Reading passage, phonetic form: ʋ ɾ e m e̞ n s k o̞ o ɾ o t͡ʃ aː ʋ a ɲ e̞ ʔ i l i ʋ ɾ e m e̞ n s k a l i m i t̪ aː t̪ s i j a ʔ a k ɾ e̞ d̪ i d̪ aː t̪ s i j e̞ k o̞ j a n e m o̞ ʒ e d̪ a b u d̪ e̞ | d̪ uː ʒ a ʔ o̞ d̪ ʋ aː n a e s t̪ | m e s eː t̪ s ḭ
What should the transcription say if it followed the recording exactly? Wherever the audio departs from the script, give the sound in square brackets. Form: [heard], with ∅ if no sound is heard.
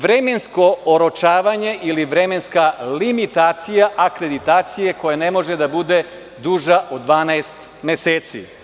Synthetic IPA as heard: ʋ ɾ e m e̞ n s k o̞ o ɾ o t͡ʃ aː ʋ a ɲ e̞ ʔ i l i ʋ ɾ e m e̞ n s k a l i m i t̪ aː t̪ s i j a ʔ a k ɾ e̞ d̪ i [t̪] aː t̪ s i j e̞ k o̞ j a n e m o̞ ʒ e d̪ a b u d̪ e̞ | d̪ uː ʒ a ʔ o̞ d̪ ʋ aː n a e s t̪ | m e s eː t̪ s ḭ

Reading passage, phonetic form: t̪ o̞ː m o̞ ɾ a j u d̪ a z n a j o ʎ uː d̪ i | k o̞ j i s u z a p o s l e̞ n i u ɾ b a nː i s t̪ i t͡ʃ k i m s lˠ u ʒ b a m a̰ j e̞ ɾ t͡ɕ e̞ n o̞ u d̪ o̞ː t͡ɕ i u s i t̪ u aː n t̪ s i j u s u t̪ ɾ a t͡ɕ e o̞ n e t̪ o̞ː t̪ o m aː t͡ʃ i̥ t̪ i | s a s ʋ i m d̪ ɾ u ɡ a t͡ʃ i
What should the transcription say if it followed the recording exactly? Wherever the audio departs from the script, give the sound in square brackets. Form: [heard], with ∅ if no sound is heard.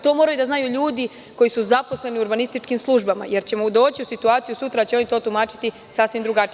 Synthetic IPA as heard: t̪ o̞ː m o̞ ɾ a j u d̪ a z n a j [u] ʎ uː d̪ i | k o̞ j i s u z a p o s l e̞ n i u ɾ b a [n] i s t̪ i t͡ʃ k i m s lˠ u ʒ b a m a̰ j e̞ ɾ t͡ɕ e̞ [m] o̞ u d̪ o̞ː t͡ɕ i u s i t̪ u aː [∅] t̪ s i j u s u t̪ ɾ a t͡ɕ e o̞ n [i] t̪ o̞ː t̪ [u] m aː t͡ʃ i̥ t̪ i | s a s ʋ i m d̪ ɾ u ɡ a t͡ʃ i

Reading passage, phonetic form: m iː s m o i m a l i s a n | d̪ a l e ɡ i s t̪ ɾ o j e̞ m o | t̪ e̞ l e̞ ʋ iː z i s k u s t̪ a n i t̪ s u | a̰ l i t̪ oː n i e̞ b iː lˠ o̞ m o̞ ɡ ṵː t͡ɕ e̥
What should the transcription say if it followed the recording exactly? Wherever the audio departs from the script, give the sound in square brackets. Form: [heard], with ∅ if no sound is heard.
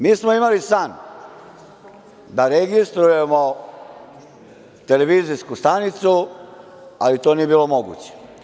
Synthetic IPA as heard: m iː s m o i m a l i s a n | d̪ a [ɾ] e ɡ i s t̪ ɾ [u] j e̞ m o | t̪ e̞ l e̞ ʋ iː z i s k u s t̪ a n i t̪ s u | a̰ l i t̪ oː n i e̞ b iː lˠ o̞ m o̞ ɡ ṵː t͡ɕ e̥

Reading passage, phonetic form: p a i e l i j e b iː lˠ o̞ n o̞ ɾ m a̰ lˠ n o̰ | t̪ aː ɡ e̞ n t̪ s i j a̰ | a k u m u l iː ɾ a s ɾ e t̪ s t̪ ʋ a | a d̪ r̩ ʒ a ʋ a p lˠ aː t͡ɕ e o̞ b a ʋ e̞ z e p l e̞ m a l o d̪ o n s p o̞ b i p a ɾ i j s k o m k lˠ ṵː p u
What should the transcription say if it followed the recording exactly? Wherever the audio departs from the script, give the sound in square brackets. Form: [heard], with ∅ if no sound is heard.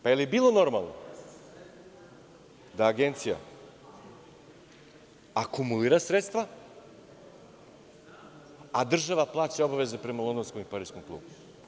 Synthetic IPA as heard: p a [j] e l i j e b iː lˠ o̞ n o̞ ɾ m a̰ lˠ n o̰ | [d̪] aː ɡ e̞ n t̪ s i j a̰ | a k u m u l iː ɾ a s ɾ e t̪ s t̪ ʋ a | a d̪ r̩ ʒ a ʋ a p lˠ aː t͡ɕ e o̞ b a ʋ e̞ z e p [ɾ] e̞ m a l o d̪ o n s [k] o̞ [m] i p a ɾ i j s k o m k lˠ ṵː [b] u

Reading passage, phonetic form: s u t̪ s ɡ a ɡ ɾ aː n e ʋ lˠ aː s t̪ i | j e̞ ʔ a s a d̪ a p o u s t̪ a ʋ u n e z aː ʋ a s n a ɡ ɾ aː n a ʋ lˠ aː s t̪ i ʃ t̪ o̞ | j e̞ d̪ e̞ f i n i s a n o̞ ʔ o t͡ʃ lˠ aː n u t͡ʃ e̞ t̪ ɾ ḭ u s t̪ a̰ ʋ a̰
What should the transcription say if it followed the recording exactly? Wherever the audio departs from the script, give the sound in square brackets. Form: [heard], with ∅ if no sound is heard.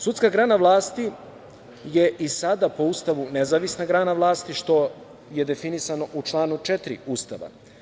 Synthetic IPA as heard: s u t̪ s [k] a ɡ ɾ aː n [a] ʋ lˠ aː s t̪ i | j e̞ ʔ [i] s a d̪ a p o u s t̪ a ʋ u n e z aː ʋ [i] s n a ɡ ɾ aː n a ʋ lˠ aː s t̪ i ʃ t̪ o̞ | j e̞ d̪ e̞ f i n i s a n o̞ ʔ [u] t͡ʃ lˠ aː n u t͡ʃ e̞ t̪ ɾ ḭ u s t̪ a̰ ʋ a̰

